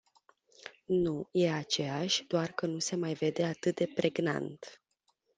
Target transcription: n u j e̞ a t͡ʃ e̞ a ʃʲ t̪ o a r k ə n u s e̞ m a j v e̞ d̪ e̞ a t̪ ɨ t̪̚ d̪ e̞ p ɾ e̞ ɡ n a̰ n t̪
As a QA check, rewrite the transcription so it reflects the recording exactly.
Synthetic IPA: n u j e̞ a t͡ʃ e̞ a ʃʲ d̪ o a r k ə n u s e̞ m a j v e̞ d̪ e̞ a t̪ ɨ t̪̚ d̪ e̞ p ɾ e̞ ɡ n a̰ n t̪